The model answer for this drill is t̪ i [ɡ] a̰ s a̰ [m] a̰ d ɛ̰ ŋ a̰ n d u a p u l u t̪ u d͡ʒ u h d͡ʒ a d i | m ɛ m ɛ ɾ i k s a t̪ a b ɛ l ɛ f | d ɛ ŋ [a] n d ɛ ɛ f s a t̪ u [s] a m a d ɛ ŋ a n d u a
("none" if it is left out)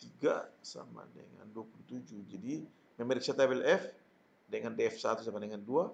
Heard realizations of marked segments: ɡ, m, a, s

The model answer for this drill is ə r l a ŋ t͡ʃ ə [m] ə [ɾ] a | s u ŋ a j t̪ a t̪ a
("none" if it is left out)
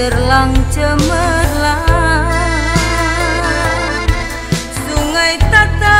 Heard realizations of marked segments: m, l

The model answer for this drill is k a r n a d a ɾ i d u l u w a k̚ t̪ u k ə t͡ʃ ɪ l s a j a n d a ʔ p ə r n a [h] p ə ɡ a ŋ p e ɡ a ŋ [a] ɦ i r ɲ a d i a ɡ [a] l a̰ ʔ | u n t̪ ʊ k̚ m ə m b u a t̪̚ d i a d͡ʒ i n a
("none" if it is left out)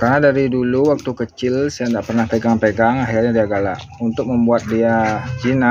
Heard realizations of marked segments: h, a, a

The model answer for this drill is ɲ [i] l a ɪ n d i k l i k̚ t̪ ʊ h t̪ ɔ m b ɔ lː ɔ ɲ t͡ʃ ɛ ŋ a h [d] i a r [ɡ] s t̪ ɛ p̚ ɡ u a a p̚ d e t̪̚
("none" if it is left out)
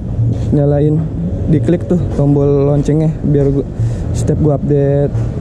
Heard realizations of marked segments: a, b, ɡ

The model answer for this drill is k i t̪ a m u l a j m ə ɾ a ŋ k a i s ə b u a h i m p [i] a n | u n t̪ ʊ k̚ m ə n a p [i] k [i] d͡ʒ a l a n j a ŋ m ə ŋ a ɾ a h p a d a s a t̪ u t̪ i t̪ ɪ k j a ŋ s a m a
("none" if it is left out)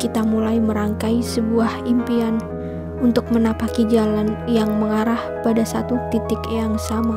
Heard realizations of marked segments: i, a, i

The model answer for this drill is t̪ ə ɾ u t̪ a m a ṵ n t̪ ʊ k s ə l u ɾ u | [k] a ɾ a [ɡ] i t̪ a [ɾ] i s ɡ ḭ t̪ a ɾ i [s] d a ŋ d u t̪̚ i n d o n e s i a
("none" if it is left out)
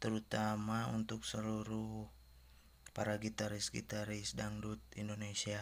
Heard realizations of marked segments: p, ɡ, ɾ, s

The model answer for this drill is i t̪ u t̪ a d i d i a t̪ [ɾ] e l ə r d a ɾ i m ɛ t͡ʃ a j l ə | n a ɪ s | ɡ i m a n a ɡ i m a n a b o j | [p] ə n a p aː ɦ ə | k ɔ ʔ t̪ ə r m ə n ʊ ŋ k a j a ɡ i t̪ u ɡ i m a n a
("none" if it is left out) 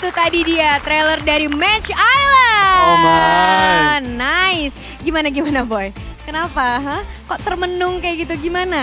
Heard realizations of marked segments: ɾ, k

